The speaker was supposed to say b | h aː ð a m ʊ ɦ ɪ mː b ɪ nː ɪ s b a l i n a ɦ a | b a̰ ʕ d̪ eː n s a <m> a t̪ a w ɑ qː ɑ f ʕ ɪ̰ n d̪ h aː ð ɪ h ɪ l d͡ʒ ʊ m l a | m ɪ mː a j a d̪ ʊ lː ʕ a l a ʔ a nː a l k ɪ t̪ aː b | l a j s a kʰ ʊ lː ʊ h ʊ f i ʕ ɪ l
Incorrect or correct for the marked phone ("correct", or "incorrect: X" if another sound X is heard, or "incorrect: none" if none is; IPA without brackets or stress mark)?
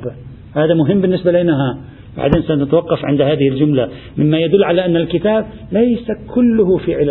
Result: incorrect: n